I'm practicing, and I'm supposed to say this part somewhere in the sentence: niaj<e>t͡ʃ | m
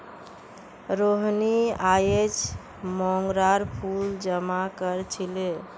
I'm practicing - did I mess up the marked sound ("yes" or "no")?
no